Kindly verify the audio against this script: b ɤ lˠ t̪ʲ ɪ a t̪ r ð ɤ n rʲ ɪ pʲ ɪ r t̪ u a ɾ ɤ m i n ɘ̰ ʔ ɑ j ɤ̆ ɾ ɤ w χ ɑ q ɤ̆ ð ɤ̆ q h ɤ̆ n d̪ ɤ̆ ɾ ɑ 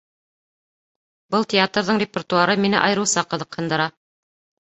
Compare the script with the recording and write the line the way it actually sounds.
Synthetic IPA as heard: b ɤ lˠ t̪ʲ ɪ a t̪ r ð ɤ ɴ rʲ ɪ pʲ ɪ r t̪ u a ɾ ɤ m i n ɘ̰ ʔ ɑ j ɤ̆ ɾ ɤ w s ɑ q ɤ̆ ð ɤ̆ q h ɤ̆ n d̪ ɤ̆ ɾ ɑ